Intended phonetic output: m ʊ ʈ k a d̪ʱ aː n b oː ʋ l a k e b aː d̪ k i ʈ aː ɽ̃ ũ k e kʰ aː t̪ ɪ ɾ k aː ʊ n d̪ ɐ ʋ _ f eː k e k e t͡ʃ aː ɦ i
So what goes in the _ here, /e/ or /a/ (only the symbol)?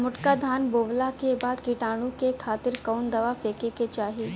a